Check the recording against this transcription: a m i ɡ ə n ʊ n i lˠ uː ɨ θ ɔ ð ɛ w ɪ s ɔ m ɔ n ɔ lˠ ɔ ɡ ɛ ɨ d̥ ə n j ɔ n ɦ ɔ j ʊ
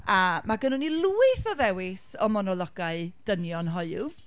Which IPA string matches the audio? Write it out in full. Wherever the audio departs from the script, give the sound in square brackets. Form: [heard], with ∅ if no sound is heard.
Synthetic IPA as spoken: a m [a] ɡ ə n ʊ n i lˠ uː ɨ θ ɔ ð ɛ w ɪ s ɔ m ɔ n ɔ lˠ ɔ ɡ [a] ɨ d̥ ə n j ɔ n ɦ ɔ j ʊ